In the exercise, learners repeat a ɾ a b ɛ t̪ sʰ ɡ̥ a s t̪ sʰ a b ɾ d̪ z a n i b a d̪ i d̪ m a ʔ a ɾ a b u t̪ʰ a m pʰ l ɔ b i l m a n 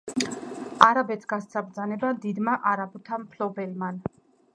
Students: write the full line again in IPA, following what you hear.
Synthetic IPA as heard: a ɾ a b ɛ t̪ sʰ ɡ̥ a s t̪ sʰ a b ɾ d̪ z a n ɛ b a d̪ i d̪ m a ʔ a ɾ a b u t̪ʰ a m pʰ l ɔ b ɛ l m a n